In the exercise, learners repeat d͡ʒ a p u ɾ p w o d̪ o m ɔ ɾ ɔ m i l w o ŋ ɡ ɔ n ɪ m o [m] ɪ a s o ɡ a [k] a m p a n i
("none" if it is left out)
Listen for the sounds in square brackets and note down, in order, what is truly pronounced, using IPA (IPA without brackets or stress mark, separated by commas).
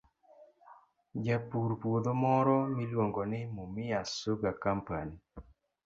m, k